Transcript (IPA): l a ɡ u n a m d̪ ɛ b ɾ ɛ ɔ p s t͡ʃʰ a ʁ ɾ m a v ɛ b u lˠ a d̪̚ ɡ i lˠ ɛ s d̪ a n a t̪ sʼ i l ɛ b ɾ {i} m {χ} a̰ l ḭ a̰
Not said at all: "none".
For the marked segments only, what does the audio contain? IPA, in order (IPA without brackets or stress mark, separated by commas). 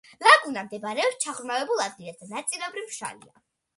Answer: i, ʃ